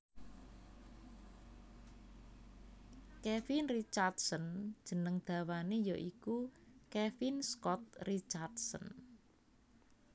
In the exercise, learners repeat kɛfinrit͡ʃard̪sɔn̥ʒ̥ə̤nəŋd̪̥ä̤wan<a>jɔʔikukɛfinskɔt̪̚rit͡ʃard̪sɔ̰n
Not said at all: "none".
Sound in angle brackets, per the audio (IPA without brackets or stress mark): e